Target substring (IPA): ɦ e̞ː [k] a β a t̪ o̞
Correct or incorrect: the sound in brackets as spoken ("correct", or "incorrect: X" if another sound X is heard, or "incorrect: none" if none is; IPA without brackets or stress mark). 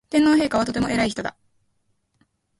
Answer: correct